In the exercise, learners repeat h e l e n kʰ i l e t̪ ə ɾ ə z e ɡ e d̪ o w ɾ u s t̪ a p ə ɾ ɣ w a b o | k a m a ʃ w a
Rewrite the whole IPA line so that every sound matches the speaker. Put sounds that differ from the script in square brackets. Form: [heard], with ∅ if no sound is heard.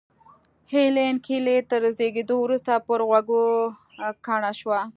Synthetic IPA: h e l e n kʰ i l e t̪ ə ɾ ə z e ɡ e d̪ o w ɾ u s t̪ a p ə ɾ ɣ w a [ɡ] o | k a [ɳ] a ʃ w a